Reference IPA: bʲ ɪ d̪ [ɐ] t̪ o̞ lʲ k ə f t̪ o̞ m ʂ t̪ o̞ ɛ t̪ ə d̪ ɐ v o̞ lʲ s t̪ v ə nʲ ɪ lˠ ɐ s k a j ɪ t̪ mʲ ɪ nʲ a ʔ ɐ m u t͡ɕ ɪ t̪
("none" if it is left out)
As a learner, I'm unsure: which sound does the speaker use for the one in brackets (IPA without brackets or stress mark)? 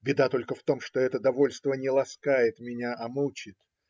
a